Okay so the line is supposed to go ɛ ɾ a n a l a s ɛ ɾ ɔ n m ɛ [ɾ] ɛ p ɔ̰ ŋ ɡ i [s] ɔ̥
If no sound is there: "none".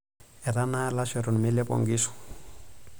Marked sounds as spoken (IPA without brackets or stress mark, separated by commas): l, s